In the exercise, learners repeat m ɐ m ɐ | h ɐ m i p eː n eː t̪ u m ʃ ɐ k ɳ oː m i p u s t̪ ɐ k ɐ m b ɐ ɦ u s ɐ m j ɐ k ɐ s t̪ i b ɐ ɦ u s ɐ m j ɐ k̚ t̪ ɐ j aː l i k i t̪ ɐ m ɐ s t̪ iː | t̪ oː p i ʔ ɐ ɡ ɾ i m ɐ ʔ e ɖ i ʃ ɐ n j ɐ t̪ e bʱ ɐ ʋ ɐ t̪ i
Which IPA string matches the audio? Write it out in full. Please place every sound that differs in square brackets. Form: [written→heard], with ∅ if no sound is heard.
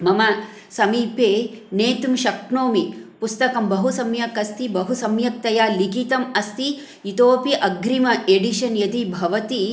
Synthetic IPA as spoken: m ɐ m ɐ | [h→s] ɐ m [i→iː] p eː n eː t̪ u m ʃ ɐ k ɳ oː m i p u s t̪ ɐ k ɐ m b ɐ ɦ u s ɐ m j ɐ k ɐ s t̪ i b ɐ ɦ u s ɐ m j ɐ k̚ t̪ ɐ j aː l i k i t̪ ɐ m ɐ s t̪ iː | t̪ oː p i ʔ ɐ ɡ ɾ i m ɐ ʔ e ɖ i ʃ ɐ n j ɐ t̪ [e→i] bʱ ɐ ʋ ɐ t̪ i